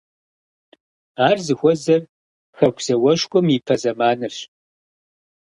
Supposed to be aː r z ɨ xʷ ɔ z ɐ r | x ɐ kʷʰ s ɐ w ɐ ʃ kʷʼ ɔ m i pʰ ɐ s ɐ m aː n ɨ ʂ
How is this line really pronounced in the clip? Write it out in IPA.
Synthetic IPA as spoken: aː r z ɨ xʷ ɔ z ɐ r | x ɐ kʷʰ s ɐ w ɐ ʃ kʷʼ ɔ m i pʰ ɐ z ɐ m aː n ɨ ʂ